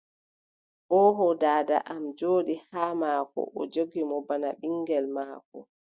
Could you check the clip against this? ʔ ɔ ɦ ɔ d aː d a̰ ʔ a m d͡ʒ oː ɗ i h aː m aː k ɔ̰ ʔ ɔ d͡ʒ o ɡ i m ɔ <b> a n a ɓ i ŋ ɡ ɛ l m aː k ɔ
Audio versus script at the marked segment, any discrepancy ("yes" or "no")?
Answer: no